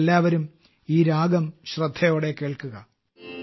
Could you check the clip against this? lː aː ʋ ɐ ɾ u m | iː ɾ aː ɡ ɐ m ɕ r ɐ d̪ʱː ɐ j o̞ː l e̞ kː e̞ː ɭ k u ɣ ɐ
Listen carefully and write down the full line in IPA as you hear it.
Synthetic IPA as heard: lː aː ʋ ɐ ɾ u m | iː ɾ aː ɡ ɐ m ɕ r ɐ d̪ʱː ɐ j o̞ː ɽ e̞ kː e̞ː ɭ k u ɣ ɐ

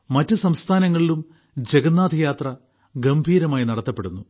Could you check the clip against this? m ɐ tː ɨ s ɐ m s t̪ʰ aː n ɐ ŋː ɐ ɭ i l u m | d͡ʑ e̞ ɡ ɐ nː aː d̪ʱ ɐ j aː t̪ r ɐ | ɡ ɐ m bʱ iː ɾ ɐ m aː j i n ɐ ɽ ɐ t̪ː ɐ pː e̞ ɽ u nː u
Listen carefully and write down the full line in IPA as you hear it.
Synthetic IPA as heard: m ɐ tː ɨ s ɐ m s t̪ʰ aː n ɐ ŋː ɐ ɭ i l u m | d͡ʑ e̞ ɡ ɐ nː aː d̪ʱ ɐ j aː t̪ r ɐ | ɡ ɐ m bʱ iː ɾ ɐ m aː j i n ɐ ɽ ɐ t̪ː ɐ pː e̞ ɽ u nː u

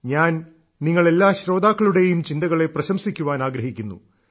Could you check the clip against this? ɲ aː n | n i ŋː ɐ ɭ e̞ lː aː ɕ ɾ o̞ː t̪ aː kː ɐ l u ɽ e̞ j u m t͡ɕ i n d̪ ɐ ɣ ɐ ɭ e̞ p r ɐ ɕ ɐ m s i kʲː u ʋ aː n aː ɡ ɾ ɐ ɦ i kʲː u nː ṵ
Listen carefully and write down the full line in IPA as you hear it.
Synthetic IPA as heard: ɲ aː n | n i ŋː ɐ ɭ e̞ lː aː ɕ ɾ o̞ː d̪ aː kː ɐ ɭ u ɽ e̞ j u m t͡ɕ i n d̪ ɐ ɣ ɐ ɭ e̞ p r ɐ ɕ ɐ m s i kʲː u ʋ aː n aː ɡ ɾ ɐ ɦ i kʲː u nː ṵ

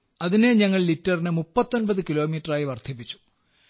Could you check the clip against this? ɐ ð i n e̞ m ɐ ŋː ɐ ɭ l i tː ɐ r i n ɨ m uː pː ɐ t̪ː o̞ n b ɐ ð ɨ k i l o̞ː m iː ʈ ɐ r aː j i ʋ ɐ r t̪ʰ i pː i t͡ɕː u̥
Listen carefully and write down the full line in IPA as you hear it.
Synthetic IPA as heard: ɐ ð i n e̞ ɲ ɐ ŋː ɐ ɭ l i tː ɐ r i n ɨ m u pː ɐ t̪ː o̞ n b ɐ ð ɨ k i l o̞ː m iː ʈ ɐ r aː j i ʋ ɐ r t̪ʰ i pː i t͡ɕː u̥

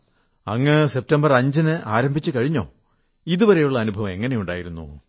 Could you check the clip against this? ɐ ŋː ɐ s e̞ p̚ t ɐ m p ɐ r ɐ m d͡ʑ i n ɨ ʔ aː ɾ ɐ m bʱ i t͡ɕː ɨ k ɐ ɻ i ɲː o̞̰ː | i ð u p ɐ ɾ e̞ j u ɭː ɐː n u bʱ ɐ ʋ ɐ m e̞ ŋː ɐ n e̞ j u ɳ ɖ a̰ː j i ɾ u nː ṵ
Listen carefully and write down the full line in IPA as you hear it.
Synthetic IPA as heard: ɐ ŋː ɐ s e̞ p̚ t ɐ m b ɐ r ɐ ɲ d͡ʑ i n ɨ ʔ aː ɾ ɐ m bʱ i t͡ɕː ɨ k ɐ ɻ i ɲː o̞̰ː | i ð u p ɐ ɾ e̞ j u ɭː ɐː n u bʱ ɐ ʋ ɐ m e̞ ŋː ɐ n e̞ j u ɳ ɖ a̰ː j i ɾ u nː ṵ

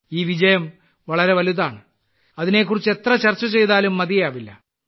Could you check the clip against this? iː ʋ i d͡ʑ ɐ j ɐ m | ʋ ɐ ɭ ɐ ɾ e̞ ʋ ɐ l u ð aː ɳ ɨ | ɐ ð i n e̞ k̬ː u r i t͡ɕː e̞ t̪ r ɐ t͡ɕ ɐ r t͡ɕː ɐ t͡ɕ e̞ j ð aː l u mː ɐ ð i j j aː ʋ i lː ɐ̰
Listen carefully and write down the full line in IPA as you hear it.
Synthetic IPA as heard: iː ʋ i d͡ʑ ɐ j ɐ m | ʋ ɐ ɭ ɐ ɾ e̞ ʋ ɐ l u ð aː ɳ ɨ | ɐ ð i n e̞ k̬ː u r i t͡ɕː e̞ t̪ r ɐ t͡ɕ ɐ r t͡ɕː ɐ t͡ɕ e̞ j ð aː l u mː ɐ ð i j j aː ʋ i lː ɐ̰

